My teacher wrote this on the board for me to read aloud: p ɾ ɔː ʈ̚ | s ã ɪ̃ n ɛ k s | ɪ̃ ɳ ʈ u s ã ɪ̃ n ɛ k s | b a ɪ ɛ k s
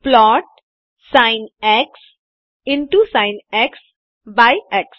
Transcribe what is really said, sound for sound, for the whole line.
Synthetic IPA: p l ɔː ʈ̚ | s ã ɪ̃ n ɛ k s | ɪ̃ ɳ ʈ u s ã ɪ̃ n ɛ k s | b a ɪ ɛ k s